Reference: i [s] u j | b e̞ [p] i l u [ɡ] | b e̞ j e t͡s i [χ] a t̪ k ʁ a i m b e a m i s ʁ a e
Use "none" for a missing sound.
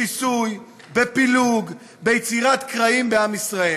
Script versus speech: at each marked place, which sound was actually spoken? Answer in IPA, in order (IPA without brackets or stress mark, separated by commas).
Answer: s, p, ɡ, ʁ